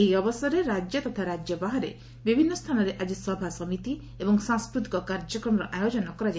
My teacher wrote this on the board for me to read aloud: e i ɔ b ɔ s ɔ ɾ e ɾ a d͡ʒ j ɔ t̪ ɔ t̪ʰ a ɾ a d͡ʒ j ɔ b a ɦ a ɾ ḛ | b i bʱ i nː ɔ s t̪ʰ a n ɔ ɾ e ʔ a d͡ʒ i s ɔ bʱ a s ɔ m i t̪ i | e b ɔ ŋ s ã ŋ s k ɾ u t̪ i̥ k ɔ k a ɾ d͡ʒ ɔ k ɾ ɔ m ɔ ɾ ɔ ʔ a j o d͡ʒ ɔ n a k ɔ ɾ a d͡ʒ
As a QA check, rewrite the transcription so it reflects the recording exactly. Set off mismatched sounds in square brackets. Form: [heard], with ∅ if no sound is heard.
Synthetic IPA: e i ɔ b ɔ s ɔ ɾ e ɾ a d͡ʒ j ɔ t̪ ɔ t̪ʰ a ɾ a d͡ʒ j ɔ b a ɦ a ɾ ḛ | b i bʱ i nː ɔ s t̪ʰ a n ɔ ɾ e ʔ a d͡ʒ i s ɔ bʱ a s ɔ m i t̪ i | e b ɔ ŋ s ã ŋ s k ɾ u t̪ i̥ k ɔ k a ɾ d͡ʒ ɔ k ɾ ɔ m ɔ ɾ ɔ ʔ a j o d͡ʒ ɔ n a k ɔ ɾ a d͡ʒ

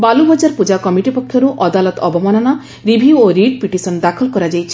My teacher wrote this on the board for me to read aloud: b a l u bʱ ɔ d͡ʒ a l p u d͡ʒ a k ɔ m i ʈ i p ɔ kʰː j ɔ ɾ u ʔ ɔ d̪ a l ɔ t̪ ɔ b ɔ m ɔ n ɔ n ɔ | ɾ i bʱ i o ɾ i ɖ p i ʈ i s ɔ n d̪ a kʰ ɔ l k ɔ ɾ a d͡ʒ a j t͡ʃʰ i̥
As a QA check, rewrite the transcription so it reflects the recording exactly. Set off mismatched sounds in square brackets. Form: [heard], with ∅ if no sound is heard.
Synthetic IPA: b a l u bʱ ɔ d͡ʒ a [ɾ] p u d͡ʒ a k ɔ m i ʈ i p ɔ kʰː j ɔ ɾ u ʔ ɔ d̪ a l ɔ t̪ ɔ b ɔ m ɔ n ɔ n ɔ | ɾ i bʱ i o ɾ i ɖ p i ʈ i s ɔ n d̪ a kʰ ɔ l k ɔ ɾ a d͡ʒ a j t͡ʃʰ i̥

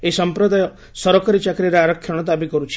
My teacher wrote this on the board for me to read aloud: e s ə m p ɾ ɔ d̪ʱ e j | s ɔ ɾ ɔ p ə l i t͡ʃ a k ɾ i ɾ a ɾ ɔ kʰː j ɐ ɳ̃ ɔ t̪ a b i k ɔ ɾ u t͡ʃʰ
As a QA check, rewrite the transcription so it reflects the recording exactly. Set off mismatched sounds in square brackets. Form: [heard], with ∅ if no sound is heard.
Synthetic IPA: e s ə m p ɾ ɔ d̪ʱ [a] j | s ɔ ɾ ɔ [k] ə [ɾ] i t͡ʃ a k ɾ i ɾ a ɾ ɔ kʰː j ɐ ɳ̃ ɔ t̪ a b i k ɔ ɾ u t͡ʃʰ

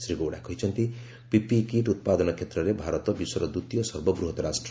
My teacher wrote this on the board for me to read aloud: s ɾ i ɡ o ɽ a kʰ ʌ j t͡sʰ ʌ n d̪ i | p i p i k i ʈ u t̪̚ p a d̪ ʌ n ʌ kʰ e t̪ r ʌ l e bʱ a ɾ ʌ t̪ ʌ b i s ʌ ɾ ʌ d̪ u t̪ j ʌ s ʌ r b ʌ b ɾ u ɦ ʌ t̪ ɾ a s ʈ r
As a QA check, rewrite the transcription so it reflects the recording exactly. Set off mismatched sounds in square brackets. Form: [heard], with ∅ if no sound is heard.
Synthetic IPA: s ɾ i ɡ o ɽ a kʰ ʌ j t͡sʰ ʌ n [t̪] i | p i p i k i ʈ u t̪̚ p a d̪ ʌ n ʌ kʰ e t̪ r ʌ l e bʱ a ɾ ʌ t̪ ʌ b i s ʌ ɾ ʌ d̪ u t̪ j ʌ s ʌ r b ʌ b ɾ u ɦ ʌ t̪ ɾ a s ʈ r

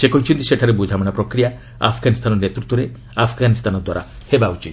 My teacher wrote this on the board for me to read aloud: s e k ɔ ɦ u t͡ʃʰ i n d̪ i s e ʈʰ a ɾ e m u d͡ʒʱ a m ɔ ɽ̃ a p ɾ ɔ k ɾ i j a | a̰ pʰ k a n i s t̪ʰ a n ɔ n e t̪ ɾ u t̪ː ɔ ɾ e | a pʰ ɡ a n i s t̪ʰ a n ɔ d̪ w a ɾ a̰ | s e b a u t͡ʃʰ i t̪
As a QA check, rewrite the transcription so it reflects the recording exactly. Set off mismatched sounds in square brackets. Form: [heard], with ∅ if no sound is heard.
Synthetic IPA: s e k ɔ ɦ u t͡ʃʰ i n [t̪] i s e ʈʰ a ɾ e [b] u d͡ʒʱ a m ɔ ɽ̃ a p ɾ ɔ k ɾ i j a | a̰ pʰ [ɡ] a n i s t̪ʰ a n ɔ n e t̪ ɾ u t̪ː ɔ ɾ e | a pʰ ɡ a n i s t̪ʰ a n ɔ d̪ w a ɾ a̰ | [h] e b a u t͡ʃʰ i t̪

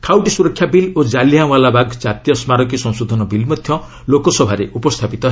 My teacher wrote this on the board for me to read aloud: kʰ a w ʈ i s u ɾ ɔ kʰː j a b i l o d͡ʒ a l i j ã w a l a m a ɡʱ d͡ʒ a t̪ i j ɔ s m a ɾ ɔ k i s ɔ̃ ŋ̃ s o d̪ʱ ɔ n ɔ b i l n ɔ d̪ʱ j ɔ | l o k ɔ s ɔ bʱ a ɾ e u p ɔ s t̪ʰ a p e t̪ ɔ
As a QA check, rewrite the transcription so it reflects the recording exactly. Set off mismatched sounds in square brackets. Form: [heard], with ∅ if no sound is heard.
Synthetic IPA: kʰ a w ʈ i s u ɾ ɔ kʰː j a b i l o d͡ʒ a l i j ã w a l a [b] a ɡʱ d͡ʒ a t̪ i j ɔ s m a ɾ ɔ k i s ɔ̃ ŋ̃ s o d̪ʱ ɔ n ɔ b i l [m] ɔ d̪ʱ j ɔ | l o k ɔ s ɔ bʱ a ɾ e u p ɔ s t̪ʰ a p [i] t̪ ɔ

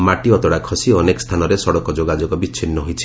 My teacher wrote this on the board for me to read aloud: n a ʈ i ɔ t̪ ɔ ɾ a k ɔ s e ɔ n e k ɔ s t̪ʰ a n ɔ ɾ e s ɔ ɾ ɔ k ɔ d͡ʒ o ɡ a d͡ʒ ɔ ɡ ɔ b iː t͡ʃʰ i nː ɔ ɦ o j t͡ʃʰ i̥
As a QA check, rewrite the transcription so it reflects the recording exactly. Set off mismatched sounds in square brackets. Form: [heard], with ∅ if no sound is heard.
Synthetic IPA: [m] a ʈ i ɔ t̪ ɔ [ɽ] a [kʰ] ɔ s [i] ɔ n e k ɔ s t̪ʰ a n ɔ ɾ e s ɔ [ɽ] ɔ k ɔ d͡ʒ o ɡ a d͡ʒ ɔ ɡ ɔ b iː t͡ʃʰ i nː ɔ ɦ o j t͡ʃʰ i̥

